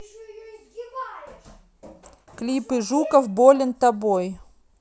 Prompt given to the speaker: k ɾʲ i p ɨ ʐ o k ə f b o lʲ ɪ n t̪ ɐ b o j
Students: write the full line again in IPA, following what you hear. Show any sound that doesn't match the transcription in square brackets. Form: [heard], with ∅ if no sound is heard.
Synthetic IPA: k [lʲ] i p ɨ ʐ [u] k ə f b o lʲ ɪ n t̪ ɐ b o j